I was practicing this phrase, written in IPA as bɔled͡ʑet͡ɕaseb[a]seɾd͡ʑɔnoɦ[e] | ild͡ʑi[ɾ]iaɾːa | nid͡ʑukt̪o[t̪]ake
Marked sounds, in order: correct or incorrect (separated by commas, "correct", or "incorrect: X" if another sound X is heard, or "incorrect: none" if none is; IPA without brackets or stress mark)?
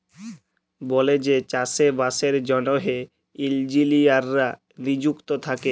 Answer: correct, correct, incorrect: l, incorrect: t̪ʰ